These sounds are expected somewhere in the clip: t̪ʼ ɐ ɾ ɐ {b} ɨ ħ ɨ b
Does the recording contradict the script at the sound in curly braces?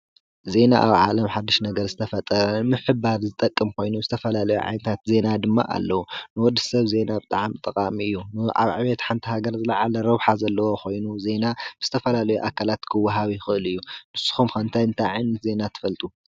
yes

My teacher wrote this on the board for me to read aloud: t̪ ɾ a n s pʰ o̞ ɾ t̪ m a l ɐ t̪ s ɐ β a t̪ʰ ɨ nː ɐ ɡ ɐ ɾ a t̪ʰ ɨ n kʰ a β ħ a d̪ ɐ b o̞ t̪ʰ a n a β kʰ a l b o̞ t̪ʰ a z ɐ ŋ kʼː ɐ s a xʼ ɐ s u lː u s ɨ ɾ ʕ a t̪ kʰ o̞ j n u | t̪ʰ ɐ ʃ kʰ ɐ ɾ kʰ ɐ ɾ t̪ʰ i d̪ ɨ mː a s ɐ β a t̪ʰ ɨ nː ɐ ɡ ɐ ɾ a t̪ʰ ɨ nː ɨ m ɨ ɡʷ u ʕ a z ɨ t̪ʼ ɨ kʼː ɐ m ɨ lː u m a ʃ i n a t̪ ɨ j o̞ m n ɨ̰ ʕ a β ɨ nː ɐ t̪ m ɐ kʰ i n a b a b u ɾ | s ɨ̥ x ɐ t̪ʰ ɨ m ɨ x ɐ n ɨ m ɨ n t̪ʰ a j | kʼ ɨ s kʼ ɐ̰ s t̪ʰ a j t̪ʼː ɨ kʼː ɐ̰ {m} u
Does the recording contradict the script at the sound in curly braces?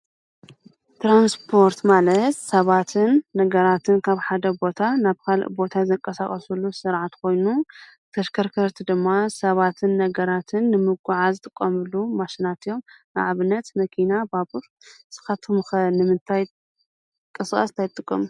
no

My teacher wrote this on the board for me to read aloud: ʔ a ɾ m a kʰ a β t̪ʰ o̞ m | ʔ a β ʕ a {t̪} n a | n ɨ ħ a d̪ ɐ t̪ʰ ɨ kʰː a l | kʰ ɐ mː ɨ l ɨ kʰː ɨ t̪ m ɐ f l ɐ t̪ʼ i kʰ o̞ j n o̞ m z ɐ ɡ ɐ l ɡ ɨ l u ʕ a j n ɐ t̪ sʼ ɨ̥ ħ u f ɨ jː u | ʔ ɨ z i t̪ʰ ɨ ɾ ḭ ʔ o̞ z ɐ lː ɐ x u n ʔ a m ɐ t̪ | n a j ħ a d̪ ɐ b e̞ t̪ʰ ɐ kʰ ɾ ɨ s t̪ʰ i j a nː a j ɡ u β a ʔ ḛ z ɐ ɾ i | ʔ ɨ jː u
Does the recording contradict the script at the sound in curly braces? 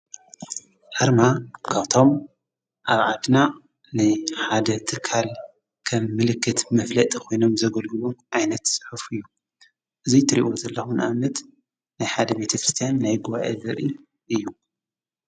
yes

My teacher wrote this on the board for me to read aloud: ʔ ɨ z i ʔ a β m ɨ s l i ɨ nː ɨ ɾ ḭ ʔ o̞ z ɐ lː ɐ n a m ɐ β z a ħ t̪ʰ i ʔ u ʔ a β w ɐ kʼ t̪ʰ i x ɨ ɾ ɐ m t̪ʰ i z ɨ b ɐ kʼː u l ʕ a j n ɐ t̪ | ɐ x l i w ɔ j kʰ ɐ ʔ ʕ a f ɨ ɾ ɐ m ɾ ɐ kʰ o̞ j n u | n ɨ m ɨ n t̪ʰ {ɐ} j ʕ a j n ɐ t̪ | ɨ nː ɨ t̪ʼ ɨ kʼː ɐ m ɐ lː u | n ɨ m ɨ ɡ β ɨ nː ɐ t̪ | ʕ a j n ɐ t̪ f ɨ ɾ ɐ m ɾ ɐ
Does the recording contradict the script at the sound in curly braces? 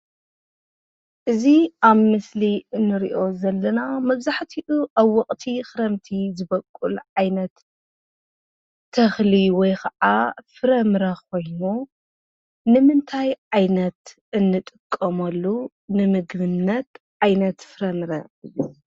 yes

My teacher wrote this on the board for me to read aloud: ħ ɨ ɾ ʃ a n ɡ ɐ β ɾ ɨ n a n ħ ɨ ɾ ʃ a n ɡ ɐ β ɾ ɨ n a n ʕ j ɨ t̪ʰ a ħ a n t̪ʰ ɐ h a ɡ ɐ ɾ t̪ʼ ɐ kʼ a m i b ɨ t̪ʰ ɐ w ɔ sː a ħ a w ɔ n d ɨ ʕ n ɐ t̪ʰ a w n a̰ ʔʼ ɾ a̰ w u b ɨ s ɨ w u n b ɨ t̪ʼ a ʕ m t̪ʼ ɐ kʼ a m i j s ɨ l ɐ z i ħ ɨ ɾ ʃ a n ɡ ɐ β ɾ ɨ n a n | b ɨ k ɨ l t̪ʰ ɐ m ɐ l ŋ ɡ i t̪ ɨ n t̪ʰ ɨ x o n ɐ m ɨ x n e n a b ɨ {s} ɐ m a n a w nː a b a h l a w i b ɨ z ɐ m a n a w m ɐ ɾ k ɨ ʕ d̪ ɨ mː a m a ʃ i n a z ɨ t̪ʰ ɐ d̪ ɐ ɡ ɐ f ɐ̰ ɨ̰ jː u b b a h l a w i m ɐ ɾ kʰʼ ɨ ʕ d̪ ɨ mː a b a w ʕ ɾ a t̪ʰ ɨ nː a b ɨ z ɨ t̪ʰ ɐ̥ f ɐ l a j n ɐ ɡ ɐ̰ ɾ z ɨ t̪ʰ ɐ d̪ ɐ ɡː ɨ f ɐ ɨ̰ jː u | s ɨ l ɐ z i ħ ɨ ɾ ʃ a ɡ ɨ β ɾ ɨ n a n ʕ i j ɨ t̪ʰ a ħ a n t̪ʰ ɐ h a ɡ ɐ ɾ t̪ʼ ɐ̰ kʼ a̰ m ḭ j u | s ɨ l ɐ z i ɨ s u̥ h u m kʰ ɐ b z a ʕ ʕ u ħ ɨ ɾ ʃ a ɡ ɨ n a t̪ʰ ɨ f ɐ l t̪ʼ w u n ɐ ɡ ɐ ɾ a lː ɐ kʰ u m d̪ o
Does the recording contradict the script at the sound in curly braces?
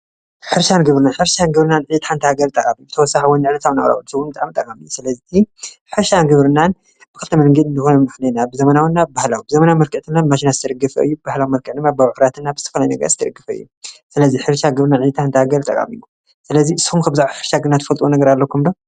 yes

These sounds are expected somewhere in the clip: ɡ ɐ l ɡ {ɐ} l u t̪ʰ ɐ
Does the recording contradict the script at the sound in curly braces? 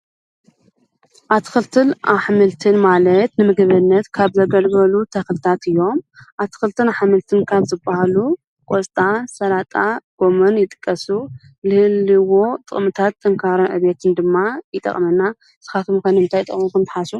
no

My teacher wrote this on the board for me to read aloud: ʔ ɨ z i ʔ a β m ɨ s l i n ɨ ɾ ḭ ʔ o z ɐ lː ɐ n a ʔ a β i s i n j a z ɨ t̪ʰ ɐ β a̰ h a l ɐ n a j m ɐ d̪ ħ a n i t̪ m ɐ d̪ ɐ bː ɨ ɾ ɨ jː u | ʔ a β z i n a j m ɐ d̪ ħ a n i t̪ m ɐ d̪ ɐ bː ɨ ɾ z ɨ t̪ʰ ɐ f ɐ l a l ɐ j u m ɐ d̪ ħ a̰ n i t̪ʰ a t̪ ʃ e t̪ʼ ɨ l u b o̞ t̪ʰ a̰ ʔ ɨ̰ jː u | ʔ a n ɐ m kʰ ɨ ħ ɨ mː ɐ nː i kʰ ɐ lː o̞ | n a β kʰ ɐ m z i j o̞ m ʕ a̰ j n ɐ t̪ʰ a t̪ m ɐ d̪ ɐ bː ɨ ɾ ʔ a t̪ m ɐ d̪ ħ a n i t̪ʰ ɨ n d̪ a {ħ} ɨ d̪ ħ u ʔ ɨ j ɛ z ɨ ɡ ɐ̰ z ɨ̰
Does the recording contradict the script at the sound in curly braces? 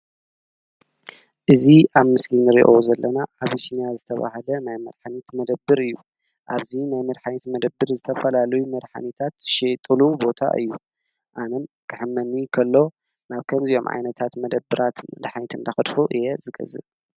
yes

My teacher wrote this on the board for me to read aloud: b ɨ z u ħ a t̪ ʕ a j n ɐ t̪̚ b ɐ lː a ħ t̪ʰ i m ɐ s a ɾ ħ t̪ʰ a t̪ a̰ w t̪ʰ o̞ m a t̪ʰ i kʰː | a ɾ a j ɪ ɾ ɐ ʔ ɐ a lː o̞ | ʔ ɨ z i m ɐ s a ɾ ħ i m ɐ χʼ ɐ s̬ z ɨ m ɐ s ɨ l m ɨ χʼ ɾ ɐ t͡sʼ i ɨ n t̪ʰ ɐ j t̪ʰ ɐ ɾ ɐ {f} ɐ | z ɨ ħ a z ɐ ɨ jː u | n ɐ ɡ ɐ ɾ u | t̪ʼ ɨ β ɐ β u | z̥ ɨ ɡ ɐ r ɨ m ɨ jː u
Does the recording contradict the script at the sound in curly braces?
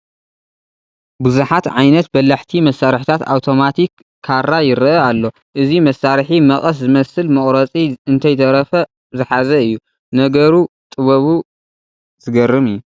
no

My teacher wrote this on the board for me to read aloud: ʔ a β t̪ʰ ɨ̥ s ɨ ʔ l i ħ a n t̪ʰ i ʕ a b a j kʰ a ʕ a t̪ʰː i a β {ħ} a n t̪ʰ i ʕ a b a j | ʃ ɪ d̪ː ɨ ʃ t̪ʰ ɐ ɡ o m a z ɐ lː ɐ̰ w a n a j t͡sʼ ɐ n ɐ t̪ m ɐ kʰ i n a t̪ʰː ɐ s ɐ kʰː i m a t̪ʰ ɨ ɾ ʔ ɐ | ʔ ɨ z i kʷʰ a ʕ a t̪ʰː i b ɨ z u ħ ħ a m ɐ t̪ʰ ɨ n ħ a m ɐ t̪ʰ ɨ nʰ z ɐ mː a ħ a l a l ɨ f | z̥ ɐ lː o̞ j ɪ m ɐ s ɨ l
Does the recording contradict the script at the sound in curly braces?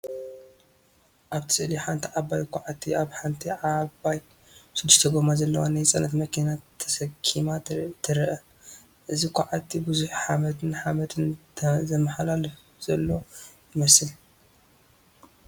no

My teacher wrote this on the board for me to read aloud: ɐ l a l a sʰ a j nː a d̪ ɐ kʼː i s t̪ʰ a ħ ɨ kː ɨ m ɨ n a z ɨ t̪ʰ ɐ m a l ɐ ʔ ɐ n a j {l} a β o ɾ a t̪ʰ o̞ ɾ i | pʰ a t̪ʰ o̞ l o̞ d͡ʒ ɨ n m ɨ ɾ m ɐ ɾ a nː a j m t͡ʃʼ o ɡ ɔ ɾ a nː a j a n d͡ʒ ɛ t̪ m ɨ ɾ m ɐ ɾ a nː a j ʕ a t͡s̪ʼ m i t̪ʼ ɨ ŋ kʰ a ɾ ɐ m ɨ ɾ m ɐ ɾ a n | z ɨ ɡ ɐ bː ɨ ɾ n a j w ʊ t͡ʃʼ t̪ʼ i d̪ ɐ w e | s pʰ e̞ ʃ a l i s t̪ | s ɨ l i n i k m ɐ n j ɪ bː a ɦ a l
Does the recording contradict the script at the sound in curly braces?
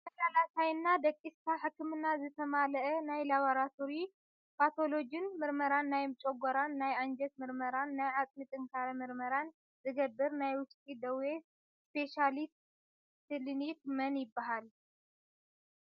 no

